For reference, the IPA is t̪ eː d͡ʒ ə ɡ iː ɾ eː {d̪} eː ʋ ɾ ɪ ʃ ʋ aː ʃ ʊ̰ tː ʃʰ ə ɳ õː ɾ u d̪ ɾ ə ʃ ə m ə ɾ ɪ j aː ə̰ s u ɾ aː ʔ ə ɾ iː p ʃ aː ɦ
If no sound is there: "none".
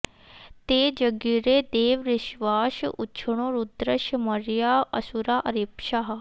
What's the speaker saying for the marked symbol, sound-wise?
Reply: d̪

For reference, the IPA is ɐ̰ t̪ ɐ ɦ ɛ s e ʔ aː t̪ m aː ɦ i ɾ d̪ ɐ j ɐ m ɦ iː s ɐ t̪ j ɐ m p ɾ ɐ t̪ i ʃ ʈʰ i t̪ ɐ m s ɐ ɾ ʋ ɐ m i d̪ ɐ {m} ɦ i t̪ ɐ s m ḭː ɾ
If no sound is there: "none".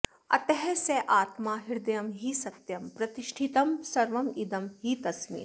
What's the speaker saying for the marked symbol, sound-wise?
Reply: m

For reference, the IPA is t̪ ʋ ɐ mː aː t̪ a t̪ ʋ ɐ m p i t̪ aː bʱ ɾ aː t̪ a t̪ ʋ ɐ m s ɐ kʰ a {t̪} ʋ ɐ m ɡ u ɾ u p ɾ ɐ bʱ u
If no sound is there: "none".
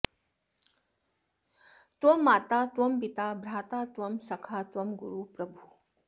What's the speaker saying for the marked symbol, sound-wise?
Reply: t̪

